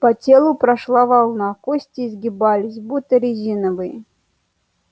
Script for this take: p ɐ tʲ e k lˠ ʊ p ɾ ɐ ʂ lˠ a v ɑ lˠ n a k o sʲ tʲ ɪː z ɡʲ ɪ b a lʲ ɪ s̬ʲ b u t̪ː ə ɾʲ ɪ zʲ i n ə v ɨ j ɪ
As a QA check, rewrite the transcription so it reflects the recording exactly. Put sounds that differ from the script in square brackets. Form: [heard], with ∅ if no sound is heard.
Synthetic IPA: p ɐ tʲ e [∅] lˠ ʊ p ɾ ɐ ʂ lˠ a v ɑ lˠ n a k o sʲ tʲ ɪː z ɡʲ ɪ b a lʲ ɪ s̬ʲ b u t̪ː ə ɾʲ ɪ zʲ i n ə v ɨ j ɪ